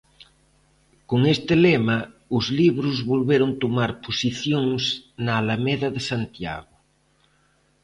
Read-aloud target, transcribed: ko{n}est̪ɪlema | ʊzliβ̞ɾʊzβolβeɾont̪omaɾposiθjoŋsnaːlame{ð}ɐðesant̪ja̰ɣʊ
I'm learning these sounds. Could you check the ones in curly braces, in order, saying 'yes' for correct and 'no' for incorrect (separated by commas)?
no, yes